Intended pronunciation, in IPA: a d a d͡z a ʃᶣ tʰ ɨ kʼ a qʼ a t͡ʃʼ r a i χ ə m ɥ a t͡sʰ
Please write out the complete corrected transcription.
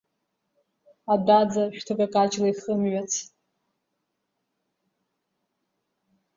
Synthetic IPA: a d a d͡z a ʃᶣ tʰ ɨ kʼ a kʼ a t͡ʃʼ l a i χ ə m ɥ a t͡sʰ